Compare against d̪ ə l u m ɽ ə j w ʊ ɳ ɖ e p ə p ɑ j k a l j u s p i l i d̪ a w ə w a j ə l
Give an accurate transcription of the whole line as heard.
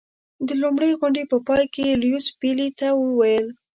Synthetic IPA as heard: d̪ ə l u m ɽ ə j ɣ ʊ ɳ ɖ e p ə p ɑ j k e l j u s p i l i t̪ a w ə w a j ə l